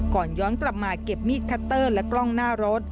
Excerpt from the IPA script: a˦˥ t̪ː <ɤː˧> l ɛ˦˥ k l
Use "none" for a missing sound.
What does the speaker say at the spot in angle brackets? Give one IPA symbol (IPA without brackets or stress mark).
ɤː˥˩